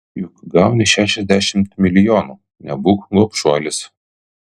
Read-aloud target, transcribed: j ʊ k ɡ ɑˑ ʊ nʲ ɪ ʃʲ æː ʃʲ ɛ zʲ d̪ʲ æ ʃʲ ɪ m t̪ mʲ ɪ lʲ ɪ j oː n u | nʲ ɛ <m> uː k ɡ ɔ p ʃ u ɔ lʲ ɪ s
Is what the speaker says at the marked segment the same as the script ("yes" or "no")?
no